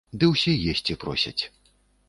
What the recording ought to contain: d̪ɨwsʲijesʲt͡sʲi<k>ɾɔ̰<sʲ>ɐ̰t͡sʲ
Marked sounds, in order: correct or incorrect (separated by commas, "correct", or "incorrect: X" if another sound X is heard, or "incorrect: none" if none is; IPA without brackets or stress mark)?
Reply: incorrect: p, correct